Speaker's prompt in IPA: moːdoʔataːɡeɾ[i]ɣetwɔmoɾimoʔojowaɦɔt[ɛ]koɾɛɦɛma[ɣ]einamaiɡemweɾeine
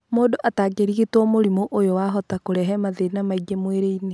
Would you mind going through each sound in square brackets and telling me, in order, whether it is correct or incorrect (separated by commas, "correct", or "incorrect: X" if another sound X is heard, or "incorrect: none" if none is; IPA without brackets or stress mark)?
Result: correct, incorrect: a, incorrect: ð